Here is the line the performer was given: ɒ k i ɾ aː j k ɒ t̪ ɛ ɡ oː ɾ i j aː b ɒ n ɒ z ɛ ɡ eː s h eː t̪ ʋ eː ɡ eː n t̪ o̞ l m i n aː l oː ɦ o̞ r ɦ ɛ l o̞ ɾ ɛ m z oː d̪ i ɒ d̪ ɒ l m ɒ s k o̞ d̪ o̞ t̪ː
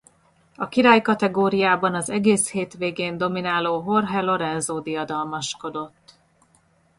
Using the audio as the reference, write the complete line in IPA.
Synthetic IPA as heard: ɒ k i ɾ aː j k ɒ t̪ ɛ ɡ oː ɾ i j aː b ɒ n ɒ z ɛ ɡ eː s h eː t̪ ʋ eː ɡ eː n d̪ o̞ m i n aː l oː ɦ o̞ r ɦ ɛ l o̞ ɾ ɛ n z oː d̪ i ɒ d̪ ɒ l m ɒ ʃ k o̞ d̪ o̞ t̪ː